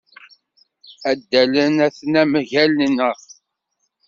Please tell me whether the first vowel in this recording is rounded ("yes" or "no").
no